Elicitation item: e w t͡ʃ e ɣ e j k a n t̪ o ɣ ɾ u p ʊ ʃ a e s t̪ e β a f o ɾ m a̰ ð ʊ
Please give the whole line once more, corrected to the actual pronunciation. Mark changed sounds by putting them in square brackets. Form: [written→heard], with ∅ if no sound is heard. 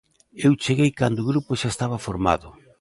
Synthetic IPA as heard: e w t͡ʃ e ɣ e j k a n [t̪→d̪] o ɣ ɾ u p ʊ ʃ a e s t̪ [e→a] β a f o ɾ m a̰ ð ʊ